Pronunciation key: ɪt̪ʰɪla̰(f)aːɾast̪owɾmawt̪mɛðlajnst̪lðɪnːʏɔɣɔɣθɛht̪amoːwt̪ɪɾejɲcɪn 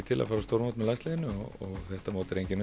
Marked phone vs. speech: correct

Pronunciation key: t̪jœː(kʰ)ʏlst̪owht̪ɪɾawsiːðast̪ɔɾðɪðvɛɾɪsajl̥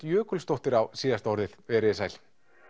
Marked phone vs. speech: incorrect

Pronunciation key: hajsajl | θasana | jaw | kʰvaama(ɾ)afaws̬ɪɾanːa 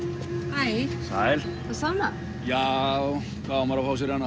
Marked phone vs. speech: correct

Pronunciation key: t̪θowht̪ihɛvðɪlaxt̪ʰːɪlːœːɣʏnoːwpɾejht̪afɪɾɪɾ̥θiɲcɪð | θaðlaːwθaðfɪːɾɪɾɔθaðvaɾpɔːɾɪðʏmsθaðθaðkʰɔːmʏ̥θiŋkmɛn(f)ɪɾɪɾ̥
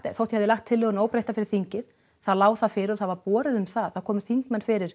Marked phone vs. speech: correct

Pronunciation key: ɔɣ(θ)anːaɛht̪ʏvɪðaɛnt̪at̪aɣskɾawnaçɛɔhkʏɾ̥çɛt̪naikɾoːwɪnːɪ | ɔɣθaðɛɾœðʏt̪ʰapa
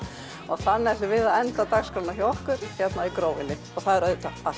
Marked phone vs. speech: correct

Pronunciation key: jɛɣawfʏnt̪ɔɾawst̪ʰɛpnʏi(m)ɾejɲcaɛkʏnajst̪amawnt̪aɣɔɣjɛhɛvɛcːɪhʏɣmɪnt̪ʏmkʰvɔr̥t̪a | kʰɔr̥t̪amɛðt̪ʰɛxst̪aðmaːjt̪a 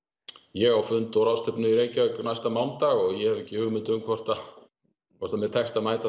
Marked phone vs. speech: incorrect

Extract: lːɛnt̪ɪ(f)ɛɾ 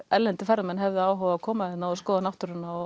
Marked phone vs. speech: correct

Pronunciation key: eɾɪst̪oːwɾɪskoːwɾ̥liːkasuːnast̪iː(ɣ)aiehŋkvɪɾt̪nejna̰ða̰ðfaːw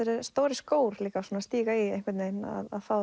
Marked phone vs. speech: correct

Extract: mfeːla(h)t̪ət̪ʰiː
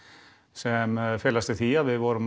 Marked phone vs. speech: incorrect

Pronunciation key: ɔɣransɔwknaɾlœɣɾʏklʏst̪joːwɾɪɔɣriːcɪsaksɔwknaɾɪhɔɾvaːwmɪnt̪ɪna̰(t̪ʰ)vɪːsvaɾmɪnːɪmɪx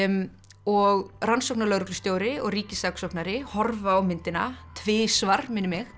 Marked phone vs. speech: correct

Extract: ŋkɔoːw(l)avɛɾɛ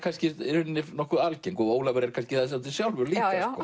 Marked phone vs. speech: correct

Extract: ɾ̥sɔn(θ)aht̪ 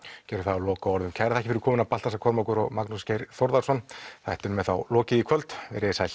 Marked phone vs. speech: correct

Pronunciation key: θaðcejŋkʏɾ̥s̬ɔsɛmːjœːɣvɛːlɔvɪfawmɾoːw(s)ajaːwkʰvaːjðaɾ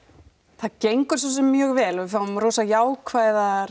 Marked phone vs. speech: correct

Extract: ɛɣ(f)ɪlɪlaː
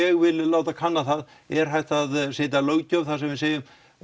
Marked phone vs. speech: incorrect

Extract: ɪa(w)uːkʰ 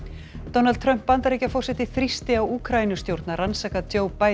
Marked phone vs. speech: correct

